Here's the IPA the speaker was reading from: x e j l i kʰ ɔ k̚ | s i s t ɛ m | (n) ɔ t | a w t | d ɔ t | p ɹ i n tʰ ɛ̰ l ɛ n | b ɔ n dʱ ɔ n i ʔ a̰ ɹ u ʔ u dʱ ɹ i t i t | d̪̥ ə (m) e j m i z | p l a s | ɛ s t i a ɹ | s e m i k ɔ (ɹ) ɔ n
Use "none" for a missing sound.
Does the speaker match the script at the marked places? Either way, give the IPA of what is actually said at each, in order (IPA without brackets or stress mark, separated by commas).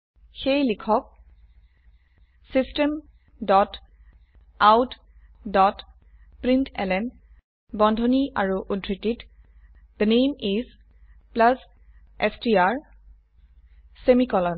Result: d, n, l